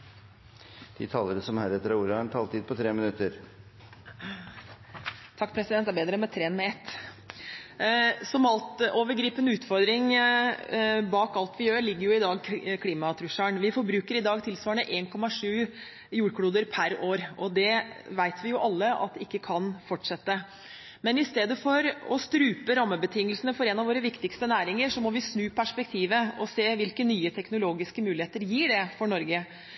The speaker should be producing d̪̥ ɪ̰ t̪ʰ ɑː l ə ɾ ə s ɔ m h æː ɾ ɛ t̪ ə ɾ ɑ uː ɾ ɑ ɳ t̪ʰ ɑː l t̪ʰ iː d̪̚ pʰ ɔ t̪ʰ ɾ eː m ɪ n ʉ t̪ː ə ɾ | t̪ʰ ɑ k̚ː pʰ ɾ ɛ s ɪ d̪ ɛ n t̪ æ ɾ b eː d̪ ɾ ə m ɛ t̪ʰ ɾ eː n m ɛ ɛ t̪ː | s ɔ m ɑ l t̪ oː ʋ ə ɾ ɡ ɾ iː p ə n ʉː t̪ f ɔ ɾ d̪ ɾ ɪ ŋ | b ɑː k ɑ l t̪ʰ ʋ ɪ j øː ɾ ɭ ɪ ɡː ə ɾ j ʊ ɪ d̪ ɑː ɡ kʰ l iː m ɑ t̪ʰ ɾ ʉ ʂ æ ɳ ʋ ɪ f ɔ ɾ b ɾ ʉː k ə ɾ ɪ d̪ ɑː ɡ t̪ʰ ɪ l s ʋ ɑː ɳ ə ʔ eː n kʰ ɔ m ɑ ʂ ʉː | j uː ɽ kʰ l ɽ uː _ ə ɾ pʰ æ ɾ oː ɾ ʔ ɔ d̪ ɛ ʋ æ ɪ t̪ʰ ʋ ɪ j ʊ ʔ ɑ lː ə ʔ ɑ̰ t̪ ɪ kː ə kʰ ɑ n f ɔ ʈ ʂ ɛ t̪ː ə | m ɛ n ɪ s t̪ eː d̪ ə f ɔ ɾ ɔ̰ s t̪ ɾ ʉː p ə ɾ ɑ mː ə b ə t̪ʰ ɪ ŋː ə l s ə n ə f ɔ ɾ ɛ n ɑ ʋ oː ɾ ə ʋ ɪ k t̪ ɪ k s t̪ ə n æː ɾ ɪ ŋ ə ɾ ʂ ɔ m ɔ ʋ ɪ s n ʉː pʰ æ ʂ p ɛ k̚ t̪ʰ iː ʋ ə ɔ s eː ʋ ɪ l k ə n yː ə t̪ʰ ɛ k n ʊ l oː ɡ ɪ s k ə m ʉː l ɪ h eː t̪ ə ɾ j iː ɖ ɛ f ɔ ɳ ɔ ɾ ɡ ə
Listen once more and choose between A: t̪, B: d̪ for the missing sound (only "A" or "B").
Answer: B